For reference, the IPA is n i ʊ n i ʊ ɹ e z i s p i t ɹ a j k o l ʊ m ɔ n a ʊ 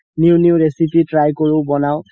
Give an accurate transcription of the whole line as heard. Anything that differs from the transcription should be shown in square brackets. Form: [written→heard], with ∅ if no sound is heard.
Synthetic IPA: n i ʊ n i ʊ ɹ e [z→s] i [s→∅] p i t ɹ a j k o [l→ɹ] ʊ [m→b] ɔ n a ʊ